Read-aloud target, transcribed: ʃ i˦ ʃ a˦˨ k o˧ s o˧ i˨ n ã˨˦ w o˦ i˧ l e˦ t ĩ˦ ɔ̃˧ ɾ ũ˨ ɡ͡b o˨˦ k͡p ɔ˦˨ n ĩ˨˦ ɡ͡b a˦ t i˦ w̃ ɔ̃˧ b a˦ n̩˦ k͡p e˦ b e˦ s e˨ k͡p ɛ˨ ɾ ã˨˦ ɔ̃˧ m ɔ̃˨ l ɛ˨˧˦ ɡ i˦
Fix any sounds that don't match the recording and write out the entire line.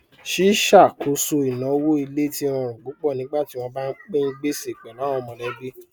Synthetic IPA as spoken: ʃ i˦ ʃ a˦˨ k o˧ s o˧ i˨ n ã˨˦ w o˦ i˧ l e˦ t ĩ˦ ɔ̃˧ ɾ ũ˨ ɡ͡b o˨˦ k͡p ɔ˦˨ n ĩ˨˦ ɡ͡b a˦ t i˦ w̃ ɔ̃˧ b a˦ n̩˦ k͡p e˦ ɡ͡b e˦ s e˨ k͡p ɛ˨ l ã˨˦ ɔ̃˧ m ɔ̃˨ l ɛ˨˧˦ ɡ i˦

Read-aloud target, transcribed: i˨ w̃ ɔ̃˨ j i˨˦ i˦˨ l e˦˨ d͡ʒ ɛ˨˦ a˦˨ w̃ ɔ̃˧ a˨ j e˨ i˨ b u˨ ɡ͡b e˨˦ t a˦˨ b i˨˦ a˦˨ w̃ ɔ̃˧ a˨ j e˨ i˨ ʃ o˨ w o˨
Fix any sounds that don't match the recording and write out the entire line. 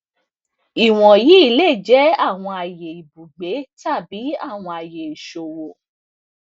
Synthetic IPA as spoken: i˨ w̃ ɔ̃˨ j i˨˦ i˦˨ l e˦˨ d͡ʒ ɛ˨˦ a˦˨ w̃ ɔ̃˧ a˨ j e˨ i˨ b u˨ ɡ͡b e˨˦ t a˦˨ b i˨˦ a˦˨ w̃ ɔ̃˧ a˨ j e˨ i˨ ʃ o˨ w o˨

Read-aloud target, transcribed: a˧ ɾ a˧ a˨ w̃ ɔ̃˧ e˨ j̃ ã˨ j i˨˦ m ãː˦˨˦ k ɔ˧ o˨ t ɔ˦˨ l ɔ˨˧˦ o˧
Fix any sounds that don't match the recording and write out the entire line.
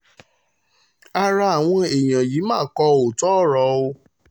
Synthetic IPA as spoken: a˧ ɾ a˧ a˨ w̃ ɔ̃˧ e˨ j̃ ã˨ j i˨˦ m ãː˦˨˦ k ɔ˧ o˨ t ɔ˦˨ ɾ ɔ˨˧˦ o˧

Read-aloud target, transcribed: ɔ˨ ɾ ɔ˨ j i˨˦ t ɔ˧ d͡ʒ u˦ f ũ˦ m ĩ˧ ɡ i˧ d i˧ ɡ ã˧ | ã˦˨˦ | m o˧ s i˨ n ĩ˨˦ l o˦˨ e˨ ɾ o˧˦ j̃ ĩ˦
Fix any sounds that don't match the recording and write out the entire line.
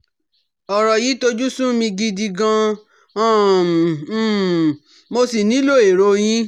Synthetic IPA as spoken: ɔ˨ ɾ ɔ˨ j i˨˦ t o˧ d͡ʒ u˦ s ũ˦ m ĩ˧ ɡ i˧ d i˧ ɡ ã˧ | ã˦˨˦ | m o˧ s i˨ n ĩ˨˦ l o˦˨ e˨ ɾ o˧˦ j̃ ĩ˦

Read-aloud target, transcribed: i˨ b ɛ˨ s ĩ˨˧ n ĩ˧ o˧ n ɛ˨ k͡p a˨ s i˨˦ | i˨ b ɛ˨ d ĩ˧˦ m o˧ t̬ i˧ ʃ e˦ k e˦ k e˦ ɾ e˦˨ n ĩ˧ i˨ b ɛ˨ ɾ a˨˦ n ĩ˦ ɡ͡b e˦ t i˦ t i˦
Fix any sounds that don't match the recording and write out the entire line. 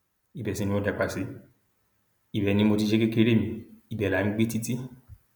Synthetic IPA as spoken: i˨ b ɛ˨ s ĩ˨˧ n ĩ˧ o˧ d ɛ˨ k͡p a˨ s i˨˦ | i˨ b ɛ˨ n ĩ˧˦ m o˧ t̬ i˧ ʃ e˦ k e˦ k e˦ ɾ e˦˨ m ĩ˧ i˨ b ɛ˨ l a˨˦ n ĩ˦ ɡ͡b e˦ t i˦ t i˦

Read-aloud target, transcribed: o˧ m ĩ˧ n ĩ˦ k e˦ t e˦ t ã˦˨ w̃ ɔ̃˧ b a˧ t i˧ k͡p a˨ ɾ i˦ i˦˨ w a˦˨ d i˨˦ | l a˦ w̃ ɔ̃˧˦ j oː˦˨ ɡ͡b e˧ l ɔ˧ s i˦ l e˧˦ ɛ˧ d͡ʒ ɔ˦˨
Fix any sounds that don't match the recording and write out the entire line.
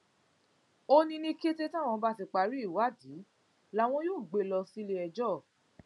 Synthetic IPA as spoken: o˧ n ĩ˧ n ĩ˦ k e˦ t e˦ t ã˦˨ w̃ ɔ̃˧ b a˧ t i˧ k͡p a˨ ɾ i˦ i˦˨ w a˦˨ d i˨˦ | l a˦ w̃ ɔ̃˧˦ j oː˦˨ ɡ͡b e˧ l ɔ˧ s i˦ l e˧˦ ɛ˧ d͡ʒ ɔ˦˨

